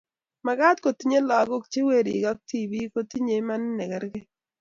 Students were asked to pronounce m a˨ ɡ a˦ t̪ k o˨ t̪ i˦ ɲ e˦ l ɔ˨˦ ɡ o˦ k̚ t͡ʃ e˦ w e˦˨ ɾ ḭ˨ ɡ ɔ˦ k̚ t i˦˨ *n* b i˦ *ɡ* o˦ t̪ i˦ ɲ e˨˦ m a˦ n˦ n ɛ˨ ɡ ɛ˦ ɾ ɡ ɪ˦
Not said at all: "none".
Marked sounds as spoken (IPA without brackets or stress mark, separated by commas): none, k